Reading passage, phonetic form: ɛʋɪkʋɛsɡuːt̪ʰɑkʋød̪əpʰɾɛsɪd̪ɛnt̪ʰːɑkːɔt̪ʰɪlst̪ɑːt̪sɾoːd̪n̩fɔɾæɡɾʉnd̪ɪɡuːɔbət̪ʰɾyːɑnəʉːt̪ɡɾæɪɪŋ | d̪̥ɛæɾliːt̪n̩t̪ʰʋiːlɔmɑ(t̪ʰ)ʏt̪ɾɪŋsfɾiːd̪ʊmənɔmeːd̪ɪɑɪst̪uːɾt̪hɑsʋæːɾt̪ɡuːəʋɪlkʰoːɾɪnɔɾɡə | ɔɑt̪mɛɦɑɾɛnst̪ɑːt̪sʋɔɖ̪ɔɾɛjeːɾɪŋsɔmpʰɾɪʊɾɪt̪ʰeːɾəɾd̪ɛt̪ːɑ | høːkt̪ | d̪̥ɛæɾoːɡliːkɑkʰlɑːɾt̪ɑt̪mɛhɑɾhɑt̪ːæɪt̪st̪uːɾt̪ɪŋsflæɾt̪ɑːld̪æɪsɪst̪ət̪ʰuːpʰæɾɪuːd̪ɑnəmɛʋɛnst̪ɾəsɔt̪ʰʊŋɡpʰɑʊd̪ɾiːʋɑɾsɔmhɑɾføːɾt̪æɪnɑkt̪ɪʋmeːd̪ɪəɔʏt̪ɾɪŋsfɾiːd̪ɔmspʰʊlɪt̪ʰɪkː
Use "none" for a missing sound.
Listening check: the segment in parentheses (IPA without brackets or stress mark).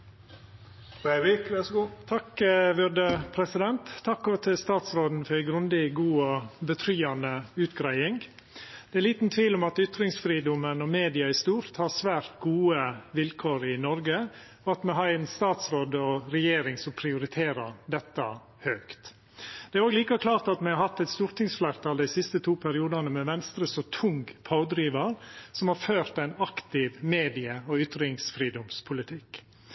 t̪